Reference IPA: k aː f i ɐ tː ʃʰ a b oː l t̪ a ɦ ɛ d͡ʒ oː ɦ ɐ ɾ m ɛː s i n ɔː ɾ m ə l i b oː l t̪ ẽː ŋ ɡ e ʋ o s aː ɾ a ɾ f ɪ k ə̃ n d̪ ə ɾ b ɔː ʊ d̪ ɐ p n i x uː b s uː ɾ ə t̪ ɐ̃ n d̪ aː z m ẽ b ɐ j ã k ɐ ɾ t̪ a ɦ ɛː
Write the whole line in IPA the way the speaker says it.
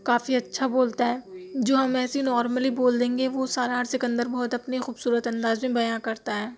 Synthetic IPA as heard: k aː f i ɐ tː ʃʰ a b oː l t̪ a ɦ ɛː d͡ʒ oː ɦ ɐ m ɛː s i n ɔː ɾ m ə l i b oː l d̪ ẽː ŋ ɡ e ʋ o s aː ɾ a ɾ s ɪ k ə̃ n d̪ ə ɾ b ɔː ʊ t̪ ɐ p n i x uː b s uː ɾ ə t̪ ɐ̃ n d̪ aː z m ẽ b ɐ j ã k ɐ ɾ t̪ a ɦ ɛː